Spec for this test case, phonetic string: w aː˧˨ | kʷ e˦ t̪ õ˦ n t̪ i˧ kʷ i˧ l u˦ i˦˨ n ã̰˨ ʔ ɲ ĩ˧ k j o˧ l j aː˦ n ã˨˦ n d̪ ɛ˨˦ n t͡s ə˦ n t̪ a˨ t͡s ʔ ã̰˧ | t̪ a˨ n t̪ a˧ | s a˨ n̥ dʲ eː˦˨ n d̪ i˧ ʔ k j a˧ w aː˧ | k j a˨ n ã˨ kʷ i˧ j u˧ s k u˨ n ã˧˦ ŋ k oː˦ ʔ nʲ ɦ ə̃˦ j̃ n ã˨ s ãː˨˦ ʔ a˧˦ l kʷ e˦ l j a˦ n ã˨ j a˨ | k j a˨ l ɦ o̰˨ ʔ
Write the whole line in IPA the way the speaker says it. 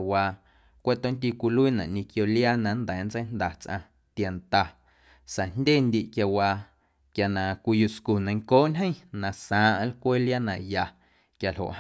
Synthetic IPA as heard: w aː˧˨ | kʷ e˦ t̪ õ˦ n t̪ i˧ kʷ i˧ l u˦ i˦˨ n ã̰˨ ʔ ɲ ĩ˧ k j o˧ l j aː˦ n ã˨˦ n d̪ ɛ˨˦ n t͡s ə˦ n d̪ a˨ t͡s ʔ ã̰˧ | t̪ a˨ n t̪ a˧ | s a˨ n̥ dʲ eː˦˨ n d̪ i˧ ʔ k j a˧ w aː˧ | k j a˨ n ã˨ kʷ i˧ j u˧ s k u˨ n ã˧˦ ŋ k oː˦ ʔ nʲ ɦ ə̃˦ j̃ n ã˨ s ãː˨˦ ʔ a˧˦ l kʷ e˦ l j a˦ n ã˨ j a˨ | k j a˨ l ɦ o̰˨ ʔ